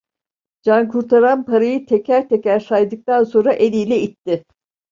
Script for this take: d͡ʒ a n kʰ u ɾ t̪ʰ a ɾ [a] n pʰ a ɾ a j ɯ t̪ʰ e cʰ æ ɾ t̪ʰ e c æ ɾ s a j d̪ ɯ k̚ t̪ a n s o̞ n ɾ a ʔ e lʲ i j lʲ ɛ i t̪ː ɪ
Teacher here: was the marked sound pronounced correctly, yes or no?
yes